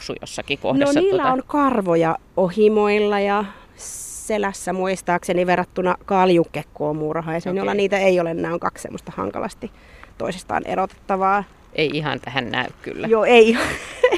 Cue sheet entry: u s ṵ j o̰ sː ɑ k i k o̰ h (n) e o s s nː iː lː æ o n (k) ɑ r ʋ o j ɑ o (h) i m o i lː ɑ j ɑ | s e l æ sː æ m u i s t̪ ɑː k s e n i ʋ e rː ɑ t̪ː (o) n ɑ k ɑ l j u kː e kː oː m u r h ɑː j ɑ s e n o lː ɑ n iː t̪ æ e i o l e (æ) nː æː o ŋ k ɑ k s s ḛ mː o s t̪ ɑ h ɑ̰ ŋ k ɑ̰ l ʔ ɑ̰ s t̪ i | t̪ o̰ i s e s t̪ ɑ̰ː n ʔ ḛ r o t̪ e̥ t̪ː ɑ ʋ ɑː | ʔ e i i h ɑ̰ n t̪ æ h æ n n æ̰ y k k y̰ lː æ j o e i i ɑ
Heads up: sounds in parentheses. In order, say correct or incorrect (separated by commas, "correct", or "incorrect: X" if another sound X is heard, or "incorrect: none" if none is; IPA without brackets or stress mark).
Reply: correct, correct, correct, incorrect: u, incorrect: e